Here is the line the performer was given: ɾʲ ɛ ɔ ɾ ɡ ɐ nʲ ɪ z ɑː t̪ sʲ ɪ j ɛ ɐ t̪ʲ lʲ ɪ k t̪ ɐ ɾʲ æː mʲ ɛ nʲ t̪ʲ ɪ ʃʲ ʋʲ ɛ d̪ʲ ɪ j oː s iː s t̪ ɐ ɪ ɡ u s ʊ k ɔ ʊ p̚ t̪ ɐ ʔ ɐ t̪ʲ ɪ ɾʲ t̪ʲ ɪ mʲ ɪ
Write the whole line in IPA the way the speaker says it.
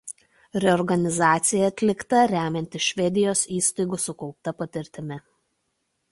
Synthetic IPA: ɾʲ ɛ ɔ ɾ ɡ ɐ nʲ ɪ z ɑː t̪ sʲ ɪ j ɛ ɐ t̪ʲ lʲ ɪ k t̪ ɐ ɾʲ æː mʲ ɛ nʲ t̪ʲ ɪ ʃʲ ʋʲ ɛ d̪ʲ ɪ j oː s iː s t̪ ɐ ɪ ɡ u s ʊ k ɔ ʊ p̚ t̪ ɐ p ɐ t̪ʲ ɪ ɾʲ t̪ʲ ɪ mʲ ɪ